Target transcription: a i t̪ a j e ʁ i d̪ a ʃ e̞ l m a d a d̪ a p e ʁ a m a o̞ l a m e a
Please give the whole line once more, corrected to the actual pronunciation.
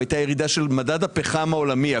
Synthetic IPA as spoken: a j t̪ a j e ʁ i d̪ a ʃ e̞ l m a d a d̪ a p e χ a m a o̞ l a m i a